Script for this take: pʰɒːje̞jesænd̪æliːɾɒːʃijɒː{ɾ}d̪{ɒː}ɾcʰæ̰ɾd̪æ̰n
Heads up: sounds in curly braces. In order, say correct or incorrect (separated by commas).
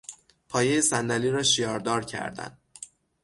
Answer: correct, correct